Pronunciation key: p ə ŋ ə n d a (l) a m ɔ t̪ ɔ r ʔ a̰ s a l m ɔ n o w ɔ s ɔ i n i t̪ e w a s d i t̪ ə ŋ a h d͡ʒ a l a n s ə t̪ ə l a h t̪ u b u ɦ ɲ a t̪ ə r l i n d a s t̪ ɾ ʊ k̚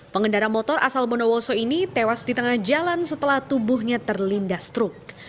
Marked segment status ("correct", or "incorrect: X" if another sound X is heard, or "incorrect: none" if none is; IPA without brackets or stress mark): incorrect: ɾ